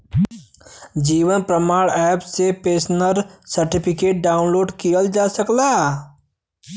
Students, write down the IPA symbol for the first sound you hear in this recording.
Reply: d͡ʒ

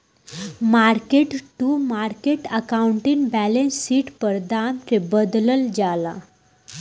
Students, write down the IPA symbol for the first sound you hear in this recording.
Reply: m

